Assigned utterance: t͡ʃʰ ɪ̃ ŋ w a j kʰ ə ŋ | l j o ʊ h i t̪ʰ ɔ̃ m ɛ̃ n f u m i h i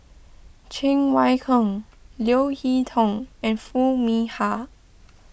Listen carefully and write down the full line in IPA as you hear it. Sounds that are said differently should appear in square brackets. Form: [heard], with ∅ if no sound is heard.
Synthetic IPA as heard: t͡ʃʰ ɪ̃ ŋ w a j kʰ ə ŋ | l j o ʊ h i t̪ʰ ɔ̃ [ŋ] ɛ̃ n f u m i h [a]